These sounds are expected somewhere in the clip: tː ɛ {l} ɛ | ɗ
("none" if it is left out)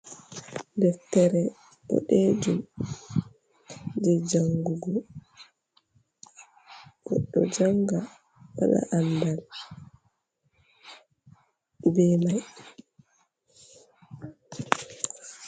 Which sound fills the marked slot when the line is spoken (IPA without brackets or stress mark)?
ɾ